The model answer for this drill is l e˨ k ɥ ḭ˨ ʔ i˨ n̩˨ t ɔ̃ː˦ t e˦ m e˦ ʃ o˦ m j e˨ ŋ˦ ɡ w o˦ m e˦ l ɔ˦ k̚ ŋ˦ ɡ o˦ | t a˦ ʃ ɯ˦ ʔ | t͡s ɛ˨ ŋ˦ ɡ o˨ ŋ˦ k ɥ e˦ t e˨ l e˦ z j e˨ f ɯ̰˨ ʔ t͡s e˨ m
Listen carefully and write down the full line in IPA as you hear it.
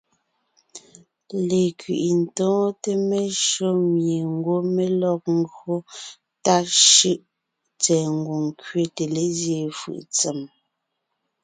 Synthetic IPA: l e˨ k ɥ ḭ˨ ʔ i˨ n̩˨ t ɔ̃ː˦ t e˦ m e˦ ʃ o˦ m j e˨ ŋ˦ ɡ w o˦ m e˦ l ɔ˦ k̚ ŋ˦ ɡ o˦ | t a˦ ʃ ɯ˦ ʔ | t͡s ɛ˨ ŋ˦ ɡ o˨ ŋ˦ k ɥ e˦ t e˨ l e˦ z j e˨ f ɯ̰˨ ʔ t͡s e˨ m

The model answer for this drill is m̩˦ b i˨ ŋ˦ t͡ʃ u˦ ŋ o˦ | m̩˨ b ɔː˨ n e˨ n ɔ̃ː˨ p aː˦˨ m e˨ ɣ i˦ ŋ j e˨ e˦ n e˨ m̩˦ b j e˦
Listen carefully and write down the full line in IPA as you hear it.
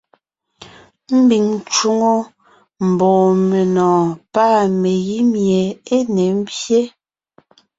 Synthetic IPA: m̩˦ b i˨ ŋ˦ t͡ʃ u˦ ŋ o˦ | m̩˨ b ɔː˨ m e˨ n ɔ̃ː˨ p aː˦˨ m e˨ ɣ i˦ m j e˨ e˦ n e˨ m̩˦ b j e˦

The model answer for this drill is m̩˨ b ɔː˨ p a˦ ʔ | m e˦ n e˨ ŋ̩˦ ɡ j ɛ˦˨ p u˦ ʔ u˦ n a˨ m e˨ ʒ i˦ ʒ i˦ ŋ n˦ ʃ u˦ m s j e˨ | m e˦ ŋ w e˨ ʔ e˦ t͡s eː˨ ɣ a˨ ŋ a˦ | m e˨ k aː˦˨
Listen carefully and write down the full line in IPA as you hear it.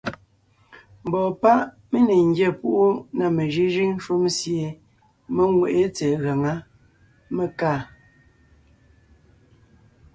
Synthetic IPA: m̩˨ b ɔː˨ p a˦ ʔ | m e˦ n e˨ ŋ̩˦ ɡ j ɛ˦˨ p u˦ ʔ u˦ n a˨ m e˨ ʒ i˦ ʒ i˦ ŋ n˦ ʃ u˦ m s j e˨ | m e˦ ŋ w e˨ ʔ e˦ t͡s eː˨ ɣ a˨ ŋ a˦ | m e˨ k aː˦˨

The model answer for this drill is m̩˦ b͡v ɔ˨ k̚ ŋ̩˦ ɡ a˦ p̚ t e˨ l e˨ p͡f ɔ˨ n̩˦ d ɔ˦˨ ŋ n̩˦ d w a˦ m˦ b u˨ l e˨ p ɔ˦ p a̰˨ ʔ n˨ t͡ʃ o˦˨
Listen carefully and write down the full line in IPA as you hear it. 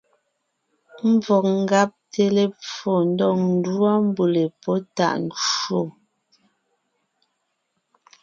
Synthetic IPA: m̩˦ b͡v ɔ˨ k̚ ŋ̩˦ ɡ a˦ p̚ t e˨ l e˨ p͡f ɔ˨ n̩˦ d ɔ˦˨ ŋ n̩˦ d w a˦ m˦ b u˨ l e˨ p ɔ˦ t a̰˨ ʔ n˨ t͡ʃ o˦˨

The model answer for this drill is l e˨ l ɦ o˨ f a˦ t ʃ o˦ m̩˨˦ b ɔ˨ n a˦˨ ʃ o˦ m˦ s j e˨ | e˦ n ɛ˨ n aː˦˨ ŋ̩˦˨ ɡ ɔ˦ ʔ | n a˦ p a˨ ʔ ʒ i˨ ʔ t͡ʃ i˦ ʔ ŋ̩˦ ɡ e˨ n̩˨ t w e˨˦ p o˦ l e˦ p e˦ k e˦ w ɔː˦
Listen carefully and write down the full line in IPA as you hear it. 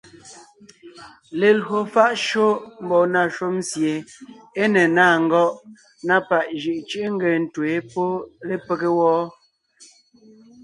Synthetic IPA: l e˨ l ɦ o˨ f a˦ ʔ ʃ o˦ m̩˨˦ b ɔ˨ n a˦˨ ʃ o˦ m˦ s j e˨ | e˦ n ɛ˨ n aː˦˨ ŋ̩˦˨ ɡ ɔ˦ ʔ | n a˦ p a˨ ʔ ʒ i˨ ʔ t͡ʃ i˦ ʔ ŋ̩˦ ɡ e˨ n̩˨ t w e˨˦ p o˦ l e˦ p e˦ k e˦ w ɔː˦

